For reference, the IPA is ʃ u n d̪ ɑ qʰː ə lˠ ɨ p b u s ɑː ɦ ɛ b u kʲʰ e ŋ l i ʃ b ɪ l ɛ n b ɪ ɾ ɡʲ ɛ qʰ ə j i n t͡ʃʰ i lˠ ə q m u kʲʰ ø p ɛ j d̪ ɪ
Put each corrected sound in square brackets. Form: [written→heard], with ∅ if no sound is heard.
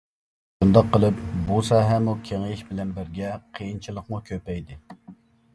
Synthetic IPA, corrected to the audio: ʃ u n d̪ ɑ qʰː ə lˠ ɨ p b u s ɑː ɦ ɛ [b→m] u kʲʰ e ŋ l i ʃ b ɪ l ɛ n b ɪ ɾ ɡʲ ɛ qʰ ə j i n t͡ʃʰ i lˠ ə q m u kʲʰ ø p ɛ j d̪ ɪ